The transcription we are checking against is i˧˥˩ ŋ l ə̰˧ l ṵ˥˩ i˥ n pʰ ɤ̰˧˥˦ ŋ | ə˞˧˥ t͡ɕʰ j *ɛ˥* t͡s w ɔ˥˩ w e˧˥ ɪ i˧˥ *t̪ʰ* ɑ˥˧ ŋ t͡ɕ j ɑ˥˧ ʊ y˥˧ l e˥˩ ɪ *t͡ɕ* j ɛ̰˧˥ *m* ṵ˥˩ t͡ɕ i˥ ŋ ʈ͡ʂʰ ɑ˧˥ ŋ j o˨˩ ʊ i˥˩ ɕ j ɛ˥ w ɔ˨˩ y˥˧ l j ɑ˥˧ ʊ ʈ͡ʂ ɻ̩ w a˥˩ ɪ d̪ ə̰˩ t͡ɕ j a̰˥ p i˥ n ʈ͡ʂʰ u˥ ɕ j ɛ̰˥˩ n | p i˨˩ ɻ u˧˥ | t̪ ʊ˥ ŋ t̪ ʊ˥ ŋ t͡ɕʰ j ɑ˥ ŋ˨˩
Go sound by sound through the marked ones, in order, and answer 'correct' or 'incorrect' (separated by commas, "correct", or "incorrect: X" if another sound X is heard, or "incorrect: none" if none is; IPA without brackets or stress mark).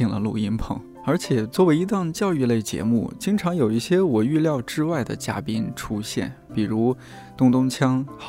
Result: incorrect: ɛ˨˩, incorrect: t̪, correct, correct